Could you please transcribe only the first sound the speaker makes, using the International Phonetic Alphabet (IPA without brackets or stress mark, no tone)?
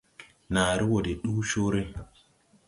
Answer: n